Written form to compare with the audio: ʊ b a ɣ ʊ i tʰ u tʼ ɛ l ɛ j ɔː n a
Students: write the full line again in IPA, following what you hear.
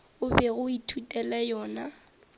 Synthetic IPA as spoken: ʊ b ɛ ɣ ʊ i tʰ u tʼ ɛ l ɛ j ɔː n a